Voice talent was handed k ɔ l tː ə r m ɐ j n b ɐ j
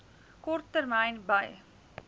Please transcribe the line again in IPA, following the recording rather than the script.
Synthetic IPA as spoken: k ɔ r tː ə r m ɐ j n b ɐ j

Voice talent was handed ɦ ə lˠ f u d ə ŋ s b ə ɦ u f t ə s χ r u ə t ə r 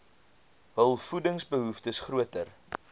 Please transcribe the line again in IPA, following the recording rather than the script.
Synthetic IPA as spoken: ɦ ə lˠ f u d ə ŋ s b ə ɦ u f t ə s χ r u ə t ə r

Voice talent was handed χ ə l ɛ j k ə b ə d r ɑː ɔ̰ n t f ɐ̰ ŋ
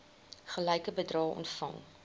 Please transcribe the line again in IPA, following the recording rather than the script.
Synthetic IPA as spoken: χ ə l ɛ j k ə b ə d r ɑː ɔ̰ n t f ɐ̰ ŋ

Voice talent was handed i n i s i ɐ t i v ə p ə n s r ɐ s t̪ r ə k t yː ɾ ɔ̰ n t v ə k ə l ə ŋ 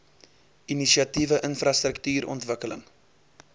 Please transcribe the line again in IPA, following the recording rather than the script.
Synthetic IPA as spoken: i n i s i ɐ t i v ə ʔ ə n f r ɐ s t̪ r ə k t yː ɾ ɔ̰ n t v ə k ə l ə ŋ

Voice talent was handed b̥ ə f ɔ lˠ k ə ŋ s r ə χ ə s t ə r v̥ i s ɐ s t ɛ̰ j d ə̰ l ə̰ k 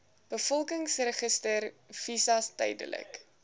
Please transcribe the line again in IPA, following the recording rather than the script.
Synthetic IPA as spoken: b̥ ə f ɔ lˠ k ə ŋ s r ə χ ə s t ə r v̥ i s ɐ s t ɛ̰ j d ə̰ l ə̰ k

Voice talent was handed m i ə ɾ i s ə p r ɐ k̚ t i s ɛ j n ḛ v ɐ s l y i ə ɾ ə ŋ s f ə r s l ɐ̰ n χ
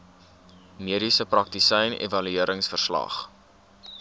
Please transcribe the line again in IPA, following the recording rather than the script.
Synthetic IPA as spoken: m i ə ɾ i s ə p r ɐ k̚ t i s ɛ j n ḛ v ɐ l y i ə ɾ ə ŋ s f ə r s l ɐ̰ χ

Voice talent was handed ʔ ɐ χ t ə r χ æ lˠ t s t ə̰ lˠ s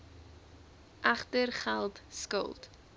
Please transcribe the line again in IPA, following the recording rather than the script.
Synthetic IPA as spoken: ʔ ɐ χ t ə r χ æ lˠ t s k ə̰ lˠ t

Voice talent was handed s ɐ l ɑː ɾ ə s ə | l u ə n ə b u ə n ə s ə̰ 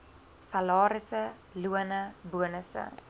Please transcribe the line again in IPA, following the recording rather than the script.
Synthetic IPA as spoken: s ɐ l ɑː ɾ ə s ə | l u ə n ə b u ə n ə s ə̰

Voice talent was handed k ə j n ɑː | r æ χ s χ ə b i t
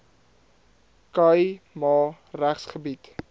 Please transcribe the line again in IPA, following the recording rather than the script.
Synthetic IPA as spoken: k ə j m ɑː | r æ χ s χ ə b i t

